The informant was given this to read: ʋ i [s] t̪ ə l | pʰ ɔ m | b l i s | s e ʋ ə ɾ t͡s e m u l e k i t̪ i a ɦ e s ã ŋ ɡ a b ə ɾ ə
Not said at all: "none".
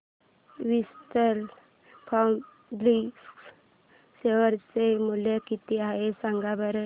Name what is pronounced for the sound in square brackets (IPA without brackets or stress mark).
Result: s